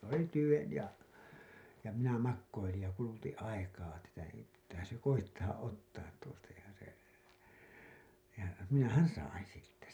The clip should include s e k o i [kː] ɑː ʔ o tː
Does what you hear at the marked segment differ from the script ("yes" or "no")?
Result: yes